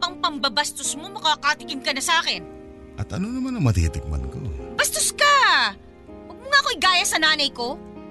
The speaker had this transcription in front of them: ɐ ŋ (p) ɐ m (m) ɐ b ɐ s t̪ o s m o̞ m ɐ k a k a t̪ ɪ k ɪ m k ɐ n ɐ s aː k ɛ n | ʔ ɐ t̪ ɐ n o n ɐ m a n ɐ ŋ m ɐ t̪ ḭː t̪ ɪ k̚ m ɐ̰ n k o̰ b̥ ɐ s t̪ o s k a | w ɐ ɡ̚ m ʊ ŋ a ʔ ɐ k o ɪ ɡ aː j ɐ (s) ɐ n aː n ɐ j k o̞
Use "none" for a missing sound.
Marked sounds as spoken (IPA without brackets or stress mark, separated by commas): p, b, s